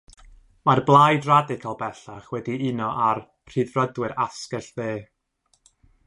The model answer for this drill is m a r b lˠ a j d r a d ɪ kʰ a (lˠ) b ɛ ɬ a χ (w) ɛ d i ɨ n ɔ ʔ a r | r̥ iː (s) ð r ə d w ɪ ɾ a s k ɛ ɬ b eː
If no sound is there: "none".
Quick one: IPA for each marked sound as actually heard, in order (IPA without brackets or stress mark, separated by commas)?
lˠ, w, none